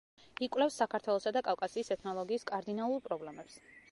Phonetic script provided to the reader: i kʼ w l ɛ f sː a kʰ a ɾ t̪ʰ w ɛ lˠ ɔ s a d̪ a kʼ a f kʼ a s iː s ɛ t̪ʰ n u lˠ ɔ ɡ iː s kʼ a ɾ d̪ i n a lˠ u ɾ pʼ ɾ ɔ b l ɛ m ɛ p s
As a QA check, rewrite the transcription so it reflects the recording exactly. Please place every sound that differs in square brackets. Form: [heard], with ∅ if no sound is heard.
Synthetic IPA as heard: i kʼ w l ɛ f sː a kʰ a ɾ t̪ʰ w ɛ lˠ ɔ s a d̪ a kʼ a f kʼ a s iː s ɛ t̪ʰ n [ɔ] lˠ ɔ ɡ iː s kʼ a ɾ d̪ i n a lˠ u ɾ pʼ ɾ ɔ b l ɛ m ɛ p s